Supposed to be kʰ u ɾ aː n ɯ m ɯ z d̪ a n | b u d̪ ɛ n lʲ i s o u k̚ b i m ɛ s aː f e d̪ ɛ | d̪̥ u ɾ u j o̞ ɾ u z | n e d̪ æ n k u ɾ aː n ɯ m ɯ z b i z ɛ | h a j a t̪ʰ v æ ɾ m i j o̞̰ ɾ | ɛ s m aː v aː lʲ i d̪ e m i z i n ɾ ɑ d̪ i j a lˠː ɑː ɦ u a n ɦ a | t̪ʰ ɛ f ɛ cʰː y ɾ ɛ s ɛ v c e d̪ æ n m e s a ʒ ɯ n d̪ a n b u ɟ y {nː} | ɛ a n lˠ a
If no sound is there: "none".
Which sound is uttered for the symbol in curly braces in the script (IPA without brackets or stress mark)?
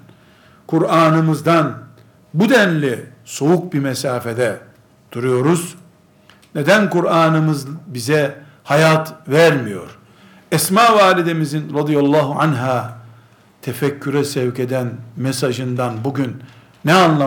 nː